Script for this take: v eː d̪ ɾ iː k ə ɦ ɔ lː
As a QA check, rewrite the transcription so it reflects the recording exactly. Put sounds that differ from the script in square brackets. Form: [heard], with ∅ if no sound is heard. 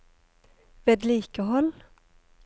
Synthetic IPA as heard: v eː d̪ [l] iː k ə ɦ ɔ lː